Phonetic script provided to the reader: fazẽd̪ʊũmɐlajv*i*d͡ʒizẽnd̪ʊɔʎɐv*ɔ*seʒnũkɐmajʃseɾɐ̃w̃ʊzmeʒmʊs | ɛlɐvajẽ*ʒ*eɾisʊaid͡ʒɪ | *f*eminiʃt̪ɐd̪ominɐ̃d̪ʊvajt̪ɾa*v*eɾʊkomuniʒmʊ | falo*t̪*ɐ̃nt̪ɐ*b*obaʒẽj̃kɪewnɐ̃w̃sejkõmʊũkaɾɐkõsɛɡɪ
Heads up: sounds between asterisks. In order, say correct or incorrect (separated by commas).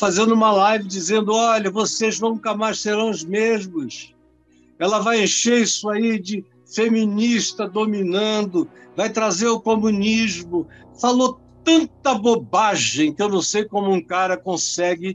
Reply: incorrect, incorrect, incorrect, correct, incorrect, correct, correct